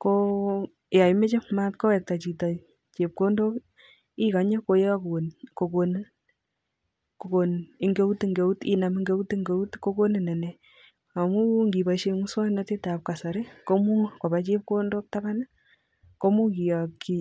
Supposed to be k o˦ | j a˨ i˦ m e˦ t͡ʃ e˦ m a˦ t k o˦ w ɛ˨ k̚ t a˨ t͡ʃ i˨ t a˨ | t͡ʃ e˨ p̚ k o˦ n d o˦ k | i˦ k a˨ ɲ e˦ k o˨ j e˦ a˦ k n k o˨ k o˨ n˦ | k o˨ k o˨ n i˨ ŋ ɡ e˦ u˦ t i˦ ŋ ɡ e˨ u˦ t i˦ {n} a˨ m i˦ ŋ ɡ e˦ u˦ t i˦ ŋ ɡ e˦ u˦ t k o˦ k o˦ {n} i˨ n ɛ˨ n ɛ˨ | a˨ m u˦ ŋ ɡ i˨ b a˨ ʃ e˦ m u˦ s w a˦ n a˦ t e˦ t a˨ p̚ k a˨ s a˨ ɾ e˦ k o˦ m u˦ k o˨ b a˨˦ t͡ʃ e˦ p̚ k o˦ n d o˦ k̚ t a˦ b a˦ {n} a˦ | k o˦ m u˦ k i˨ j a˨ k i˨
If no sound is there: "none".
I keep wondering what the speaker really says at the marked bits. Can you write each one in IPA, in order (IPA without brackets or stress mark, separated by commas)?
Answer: n, n, n